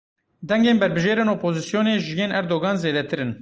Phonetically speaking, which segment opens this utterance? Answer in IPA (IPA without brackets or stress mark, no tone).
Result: d̪